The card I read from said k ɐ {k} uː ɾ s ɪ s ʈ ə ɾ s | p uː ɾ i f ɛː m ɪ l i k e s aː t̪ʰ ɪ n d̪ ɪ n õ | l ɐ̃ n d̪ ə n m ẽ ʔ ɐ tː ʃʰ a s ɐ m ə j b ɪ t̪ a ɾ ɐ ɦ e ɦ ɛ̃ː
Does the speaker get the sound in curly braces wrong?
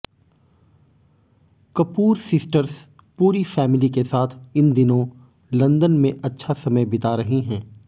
yes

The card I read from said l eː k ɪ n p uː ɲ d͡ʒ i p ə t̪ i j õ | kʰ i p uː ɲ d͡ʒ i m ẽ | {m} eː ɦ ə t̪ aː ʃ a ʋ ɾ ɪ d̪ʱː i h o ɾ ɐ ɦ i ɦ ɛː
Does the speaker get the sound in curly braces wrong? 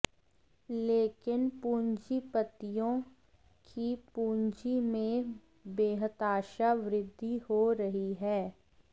yes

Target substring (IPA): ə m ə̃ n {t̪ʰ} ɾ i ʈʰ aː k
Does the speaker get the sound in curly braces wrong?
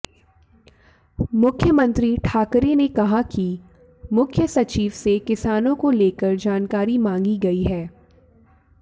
yes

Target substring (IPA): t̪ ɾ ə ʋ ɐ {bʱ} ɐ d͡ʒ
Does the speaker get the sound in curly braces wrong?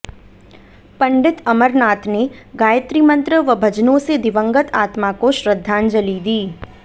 no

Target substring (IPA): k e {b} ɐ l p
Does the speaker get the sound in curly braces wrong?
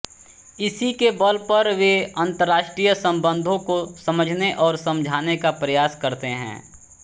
no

